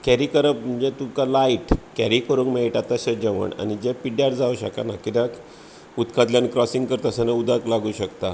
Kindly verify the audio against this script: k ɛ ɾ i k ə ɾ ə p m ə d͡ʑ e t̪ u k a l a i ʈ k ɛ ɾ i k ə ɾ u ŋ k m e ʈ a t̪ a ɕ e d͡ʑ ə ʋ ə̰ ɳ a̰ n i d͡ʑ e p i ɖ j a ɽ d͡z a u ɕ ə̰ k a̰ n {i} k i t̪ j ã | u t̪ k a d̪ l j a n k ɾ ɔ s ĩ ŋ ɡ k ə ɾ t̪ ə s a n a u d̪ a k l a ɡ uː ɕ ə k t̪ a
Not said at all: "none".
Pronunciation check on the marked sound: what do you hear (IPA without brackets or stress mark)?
a